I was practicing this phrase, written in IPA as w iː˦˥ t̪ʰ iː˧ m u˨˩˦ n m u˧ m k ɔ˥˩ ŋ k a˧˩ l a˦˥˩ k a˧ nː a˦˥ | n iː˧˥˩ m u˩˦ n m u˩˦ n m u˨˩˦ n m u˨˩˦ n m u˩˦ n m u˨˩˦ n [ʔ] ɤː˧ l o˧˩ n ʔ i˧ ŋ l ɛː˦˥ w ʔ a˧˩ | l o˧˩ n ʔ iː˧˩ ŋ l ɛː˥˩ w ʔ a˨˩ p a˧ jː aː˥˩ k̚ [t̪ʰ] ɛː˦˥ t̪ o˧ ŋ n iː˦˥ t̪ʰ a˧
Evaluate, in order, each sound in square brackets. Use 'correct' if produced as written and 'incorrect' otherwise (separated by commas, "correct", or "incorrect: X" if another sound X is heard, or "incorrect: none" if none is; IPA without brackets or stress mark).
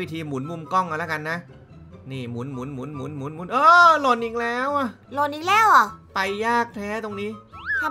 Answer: correct, correct